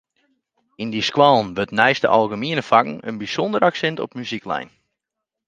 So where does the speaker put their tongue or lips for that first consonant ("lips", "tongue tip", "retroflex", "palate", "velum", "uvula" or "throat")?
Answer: tongue tip